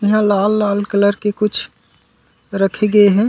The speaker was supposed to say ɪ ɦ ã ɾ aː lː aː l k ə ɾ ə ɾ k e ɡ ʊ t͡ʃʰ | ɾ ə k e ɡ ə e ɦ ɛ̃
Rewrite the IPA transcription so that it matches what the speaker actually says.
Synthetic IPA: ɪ ɦ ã l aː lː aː l k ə l ə ɾ k e k ʊ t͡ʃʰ | ɾ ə kʰ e ɡ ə e ɦ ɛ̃